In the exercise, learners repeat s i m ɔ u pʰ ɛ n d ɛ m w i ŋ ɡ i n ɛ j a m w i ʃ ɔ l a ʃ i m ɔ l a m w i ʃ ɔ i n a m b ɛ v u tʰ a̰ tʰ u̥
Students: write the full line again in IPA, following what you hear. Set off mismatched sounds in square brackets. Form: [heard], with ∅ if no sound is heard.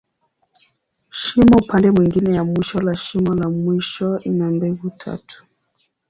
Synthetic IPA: [ʃ] i m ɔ u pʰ [a] n d ɛ m w i ŋ ɡ i n ɛ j a m w i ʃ ɔ l a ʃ i m ɔ l a m w i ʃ ɔ i n a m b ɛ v u tʰ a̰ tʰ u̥